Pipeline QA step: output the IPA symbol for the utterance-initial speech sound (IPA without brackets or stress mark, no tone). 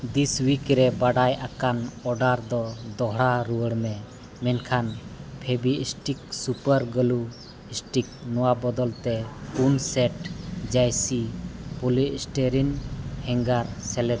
d̪